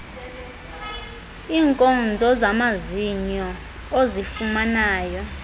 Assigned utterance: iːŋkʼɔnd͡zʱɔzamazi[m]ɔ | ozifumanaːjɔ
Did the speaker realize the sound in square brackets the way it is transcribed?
no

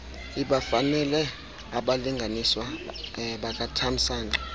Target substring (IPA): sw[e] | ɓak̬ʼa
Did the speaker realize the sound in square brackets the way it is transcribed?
no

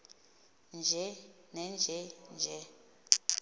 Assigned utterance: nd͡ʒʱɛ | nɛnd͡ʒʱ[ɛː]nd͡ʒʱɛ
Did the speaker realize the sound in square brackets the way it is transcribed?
no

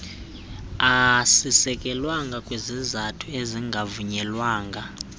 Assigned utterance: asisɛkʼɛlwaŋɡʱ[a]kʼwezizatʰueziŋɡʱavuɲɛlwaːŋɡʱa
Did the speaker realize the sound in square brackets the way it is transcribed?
yes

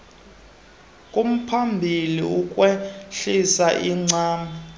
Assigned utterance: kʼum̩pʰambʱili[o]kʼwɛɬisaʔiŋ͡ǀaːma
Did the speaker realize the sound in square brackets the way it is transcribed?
no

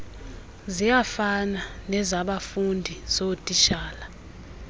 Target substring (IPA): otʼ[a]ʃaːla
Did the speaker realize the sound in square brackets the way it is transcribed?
no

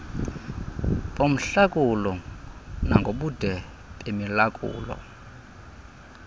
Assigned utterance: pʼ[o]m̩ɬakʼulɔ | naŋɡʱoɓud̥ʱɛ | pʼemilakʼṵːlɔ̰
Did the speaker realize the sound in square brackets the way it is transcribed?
yes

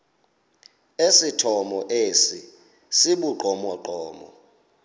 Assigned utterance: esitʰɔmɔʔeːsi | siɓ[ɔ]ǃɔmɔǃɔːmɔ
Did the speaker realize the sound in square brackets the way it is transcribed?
no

